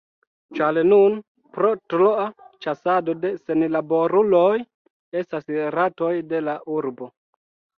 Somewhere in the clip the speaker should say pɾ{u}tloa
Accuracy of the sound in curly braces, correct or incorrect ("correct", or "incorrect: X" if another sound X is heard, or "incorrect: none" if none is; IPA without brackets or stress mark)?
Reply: incorrect: o